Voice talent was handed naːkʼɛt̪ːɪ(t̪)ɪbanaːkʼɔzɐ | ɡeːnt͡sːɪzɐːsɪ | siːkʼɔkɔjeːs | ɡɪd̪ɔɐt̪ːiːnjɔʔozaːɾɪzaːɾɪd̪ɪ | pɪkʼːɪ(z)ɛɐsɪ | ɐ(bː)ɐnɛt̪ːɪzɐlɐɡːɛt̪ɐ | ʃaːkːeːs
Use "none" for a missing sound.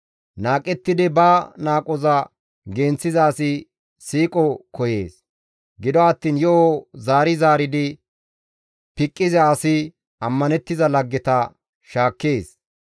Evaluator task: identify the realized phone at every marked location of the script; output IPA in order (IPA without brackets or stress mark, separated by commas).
d̪, z, mː